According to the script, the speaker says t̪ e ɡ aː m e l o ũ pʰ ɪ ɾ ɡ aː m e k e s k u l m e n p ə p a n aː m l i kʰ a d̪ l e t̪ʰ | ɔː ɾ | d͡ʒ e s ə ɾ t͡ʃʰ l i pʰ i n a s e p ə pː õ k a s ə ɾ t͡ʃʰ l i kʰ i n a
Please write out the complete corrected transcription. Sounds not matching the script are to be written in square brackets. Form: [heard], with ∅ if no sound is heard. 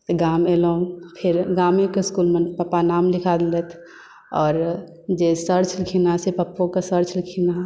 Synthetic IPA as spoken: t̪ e ɡ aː m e l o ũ pʰ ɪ ɾ ɡ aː m e k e s k u l m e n p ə p a n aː m l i kʰ a d̪ l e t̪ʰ | ɔː ɾ | d͡ʒ e s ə ɾ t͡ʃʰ l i [kʰ] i n a s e p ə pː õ k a s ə ɾ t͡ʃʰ l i kʰ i n a

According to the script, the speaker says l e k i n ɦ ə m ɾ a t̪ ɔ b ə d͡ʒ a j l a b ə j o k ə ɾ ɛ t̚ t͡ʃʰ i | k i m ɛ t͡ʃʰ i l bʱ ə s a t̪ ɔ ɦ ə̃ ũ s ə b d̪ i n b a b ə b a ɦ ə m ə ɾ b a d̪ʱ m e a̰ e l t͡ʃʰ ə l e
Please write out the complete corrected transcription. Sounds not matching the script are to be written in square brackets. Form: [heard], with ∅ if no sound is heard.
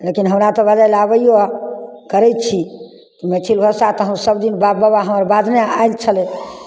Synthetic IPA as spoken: l e k i n ɦ ə m ɾ a t̪ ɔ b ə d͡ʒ a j l a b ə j o k ə ɾ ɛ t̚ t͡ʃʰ i | k i m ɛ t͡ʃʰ i l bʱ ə s a t̪ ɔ ɦ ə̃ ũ s ə b d̪ i n b a b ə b a ɦ ə m ə ɾ b a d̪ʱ [n] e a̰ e l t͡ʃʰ ə l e

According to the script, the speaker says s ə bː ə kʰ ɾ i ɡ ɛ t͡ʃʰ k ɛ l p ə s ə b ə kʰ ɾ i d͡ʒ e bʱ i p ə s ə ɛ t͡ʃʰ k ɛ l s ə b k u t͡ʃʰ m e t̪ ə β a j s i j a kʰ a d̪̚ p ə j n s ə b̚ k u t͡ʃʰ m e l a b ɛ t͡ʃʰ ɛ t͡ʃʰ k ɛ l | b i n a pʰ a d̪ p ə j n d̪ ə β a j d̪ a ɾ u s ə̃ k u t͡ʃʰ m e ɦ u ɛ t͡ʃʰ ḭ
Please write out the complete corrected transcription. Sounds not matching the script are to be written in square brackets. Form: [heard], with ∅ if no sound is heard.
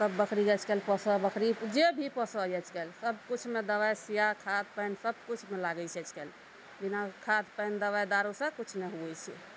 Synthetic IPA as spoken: s ə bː ə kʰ ɾ i ɡ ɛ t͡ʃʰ k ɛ l p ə s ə b ə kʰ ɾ i d͡ʒ e bʱ i p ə s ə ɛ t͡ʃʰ k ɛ l s ə b k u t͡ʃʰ m e [d̪] ə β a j s i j a kʰ a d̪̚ p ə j n s ə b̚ k u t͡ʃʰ m e l a [ɡ] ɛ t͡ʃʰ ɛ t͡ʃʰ k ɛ l | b i n a [kʰ] a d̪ p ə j n d̪ ə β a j d̪ a ɾ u s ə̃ k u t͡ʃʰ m e ɦ u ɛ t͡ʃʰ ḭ

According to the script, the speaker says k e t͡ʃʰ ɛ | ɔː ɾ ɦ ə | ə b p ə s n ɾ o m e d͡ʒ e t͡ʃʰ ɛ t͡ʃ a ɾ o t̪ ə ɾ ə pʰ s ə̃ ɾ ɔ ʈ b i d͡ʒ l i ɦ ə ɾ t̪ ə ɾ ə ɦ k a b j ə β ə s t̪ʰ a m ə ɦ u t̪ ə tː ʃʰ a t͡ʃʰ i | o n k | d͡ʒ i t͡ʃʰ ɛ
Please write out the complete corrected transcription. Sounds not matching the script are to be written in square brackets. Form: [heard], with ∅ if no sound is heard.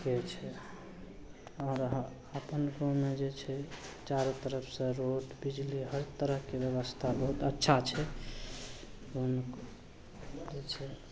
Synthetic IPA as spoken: k e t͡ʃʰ ɛ | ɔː ɾ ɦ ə | ə [∅] p ə [∅] n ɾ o m e d͡ʒ e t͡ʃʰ ɛ t͡ʃ a ɾ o t̪ ə ɾ ə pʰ s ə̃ ɾ [o] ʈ b i d͡ʒ l i ɦ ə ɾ t̪ ə ɾ ə ɦ k [e] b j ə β ə s t̪ʰ a [b] ə ɦ u t̪ ə tː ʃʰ a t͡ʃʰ [ɛ] | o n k | d͡ʒ [e] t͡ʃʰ ɛ

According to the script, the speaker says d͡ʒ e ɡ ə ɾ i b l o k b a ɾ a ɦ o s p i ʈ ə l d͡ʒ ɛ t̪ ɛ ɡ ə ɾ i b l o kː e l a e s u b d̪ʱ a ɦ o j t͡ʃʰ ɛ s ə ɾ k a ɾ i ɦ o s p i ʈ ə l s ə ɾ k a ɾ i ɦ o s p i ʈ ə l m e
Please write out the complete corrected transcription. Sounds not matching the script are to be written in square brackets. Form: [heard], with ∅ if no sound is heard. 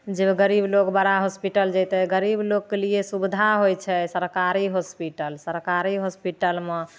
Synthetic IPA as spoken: d͡ʒ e ɡ ə ɾ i b l o k b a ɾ a ɦ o s p i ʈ ə l d͡ʒ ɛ t̪ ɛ ɡ ə ɾ i b l o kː e l [i] e s u b d̪ʱ a ɦ o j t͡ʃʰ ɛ s ə ɾ k a ɾ i ɦ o s p i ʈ ə l s ə ɾ k a ɾ i ɦ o s p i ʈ ə l m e

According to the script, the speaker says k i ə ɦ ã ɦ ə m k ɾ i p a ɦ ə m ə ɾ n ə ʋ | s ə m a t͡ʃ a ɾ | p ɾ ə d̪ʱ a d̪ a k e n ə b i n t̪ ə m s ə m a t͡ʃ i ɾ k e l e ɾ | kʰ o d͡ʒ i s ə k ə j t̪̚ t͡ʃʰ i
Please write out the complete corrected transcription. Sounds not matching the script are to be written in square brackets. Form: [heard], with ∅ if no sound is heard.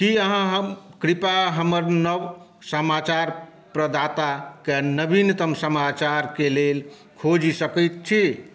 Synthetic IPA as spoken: k i ə ɦ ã ɦ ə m k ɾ i p a ɦ ə m ə ɾ n ə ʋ | s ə m a t͡ʃ a ɾ | p ɾ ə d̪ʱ a [t̪] a k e n ə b i n t̪ ə m s ə m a t͡ʃ [a] ɾ k e l e [l] | kʰ o d͡ʒ i s ə k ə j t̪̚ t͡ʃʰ i

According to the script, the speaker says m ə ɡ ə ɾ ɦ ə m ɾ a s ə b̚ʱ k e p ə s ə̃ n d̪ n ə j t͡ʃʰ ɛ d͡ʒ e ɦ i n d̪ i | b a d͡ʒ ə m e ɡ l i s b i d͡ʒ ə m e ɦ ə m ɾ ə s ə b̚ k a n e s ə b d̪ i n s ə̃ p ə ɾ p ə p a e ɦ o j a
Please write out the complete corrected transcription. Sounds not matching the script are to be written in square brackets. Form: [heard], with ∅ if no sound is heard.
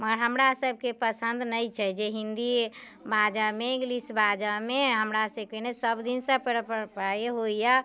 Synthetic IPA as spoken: m ə ɡ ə ɾ ɦ ə m ɾ a s ə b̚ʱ k e p ə s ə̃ n d̪ n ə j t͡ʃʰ ɛ d͡ʒ e ɦ i n d̪ i | b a d͡ʒ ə m e ɡ l i s b [a] d͡ʒ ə m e ɦ ə m ɾ [a] s ə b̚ k [e] n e s ə b d̪ i n s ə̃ p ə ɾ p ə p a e ɦ o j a

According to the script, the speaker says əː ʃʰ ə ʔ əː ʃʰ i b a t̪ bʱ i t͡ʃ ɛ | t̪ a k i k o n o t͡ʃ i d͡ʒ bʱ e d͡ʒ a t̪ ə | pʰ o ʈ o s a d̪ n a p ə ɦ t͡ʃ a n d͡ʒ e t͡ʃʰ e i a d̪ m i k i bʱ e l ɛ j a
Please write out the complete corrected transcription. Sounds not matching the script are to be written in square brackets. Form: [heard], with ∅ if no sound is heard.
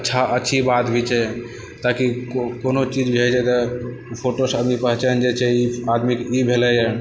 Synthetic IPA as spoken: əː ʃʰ [a] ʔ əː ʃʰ i b a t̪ bʱ i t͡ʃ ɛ | t̪ a k i k o n o t͡ʃ i d͡ʒ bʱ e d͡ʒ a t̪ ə | pʰ o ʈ o s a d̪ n [i] p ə ɦ t͡ʃ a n d͡ʒ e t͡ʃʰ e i a d̪ m i k i bʱ e l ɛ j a

